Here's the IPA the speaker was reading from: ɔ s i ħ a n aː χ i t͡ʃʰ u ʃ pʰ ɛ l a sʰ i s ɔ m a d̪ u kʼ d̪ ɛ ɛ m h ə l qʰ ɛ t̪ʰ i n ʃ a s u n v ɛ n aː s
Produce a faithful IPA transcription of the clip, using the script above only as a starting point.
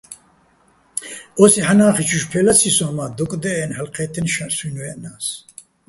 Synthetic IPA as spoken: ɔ s i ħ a n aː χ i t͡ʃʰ u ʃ pʰ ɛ l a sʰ i s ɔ m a d̪ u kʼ d̪ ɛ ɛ n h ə l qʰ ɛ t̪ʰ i n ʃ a s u n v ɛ n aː s